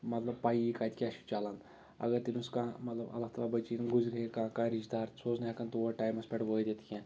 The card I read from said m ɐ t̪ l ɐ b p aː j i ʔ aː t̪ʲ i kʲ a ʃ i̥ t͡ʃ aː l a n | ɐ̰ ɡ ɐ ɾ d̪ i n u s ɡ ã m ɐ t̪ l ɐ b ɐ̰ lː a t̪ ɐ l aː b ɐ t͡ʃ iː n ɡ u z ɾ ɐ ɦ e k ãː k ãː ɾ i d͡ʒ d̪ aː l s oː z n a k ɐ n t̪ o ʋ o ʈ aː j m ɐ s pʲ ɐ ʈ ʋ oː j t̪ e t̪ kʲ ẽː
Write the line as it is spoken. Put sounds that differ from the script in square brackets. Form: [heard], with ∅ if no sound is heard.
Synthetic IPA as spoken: m ɐ t̪ l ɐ b p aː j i [k] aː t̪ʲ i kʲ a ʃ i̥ t͡ʃ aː l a n | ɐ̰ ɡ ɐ ɾ [t̪] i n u s [k] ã m ɐ t̪ l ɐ b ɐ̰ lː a t̪ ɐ l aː b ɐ t͡ʃ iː n ɡ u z ɾ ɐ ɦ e k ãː k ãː ɾ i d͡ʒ d̪ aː [ɾ] s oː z n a k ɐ n t̪ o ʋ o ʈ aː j m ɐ s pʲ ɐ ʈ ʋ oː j [d̪] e t̪ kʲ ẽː